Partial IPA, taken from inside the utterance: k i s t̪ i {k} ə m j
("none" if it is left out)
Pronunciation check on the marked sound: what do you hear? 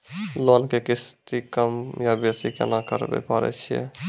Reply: k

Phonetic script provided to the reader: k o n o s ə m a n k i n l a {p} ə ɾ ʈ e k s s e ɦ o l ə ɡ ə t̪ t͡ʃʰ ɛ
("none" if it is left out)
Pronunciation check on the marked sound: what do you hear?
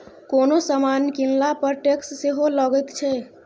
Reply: p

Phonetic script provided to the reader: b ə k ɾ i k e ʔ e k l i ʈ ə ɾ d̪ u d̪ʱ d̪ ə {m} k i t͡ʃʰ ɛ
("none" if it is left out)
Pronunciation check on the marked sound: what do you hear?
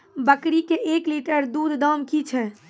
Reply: m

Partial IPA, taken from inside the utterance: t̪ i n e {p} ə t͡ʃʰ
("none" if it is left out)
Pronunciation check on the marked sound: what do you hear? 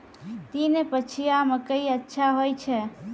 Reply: p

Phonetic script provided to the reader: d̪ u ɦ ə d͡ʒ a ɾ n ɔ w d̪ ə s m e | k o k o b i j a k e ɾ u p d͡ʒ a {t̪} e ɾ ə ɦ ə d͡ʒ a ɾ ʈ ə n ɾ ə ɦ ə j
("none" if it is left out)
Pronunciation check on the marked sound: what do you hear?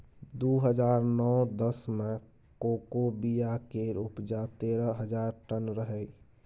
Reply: t̪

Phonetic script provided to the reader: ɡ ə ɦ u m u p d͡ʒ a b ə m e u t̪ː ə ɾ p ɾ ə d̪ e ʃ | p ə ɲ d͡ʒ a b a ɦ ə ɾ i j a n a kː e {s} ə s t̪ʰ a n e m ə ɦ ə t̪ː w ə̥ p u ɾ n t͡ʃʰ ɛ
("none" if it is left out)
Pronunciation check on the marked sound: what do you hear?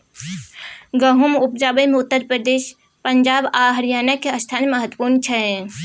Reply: none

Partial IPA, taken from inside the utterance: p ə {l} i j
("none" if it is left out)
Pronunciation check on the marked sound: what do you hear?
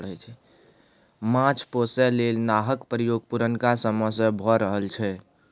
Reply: ɾ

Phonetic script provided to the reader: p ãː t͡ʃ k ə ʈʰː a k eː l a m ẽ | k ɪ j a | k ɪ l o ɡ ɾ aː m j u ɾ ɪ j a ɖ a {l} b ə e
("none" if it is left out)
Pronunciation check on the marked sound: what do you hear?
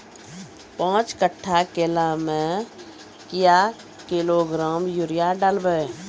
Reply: l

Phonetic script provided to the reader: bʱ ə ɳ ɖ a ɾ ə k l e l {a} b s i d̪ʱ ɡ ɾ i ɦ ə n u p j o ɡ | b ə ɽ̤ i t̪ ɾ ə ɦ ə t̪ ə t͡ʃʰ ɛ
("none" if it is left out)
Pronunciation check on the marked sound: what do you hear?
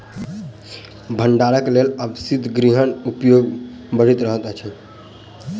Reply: ə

